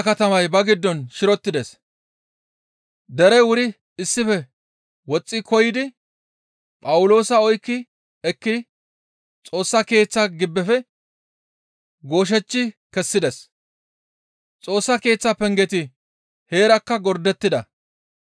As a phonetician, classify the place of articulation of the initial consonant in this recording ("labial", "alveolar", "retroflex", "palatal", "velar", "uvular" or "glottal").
velar